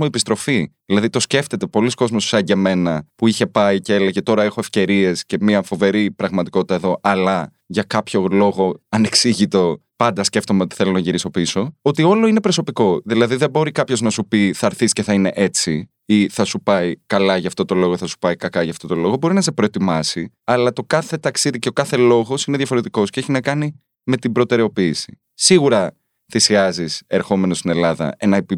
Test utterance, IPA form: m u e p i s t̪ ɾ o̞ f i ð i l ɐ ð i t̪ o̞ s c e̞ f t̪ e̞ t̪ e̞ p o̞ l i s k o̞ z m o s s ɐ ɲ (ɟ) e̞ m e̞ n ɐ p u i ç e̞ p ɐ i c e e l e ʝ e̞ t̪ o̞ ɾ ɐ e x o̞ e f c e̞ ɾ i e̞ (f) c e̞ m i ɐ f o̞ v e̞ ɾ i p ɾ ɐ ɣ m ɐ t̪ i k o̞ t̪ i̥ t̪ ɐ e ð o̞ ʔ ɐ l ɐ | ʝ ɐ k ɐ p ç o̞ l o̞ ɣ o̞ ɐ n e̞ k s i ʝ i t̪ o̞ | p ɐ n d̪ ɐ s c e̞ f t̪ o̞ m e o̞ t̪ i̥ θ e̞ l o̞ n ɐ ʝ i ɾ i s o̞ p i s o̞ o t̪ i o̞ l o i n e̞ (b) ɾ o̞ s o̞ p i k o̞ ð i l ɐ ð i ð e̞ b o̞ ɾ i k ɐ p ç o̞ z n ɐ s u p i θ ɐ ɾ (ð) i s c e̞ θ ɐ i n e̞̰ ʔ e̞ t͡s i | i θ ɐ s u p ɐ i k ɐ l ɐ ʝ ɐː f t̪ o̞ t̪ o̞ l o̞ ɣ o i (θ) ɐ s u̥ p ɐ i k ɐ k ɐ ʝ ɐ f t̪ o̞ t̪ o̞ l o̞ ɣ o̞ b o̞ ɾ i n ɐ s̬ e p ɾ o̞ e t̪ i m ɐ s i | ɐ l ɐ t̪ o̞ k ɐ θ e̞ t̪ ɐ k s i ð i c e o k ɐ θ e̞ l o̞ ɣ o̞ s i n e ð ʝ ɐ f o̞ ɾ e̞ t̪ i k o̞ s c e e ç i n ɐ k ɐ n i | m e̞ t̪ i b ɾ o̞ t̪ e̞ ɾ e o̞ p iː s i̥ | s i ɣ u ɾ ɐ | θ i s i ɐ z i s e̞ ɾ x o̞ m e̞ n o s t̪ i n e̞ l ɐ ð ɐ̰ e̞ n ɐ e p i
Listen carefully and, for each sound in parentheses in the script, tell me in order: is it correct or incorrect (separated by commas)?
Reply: correct, incorrect, incorrect, incorrect, correct